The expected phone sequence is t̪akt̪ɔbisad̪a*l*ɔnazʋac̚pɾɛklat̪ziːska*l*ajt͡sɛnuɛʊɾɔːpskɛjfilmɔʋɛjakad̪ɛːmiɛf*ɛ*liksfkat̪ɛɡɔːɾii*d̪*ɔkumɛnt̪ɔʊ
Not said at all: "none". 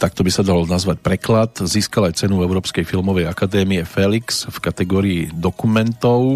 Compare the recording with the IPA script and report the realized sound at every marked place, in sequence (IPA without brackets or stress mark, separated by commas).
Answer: l, l, ɛ, d̪